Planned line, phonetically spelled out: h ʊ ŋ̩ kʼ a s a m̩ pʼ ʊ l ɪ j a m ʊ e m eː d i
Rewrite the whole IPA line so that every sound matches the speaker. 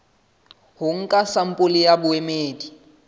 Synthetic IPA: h ʊ ŋ̩ kʼ a s a m̩ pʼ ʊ l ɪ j a b ʊ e m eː d i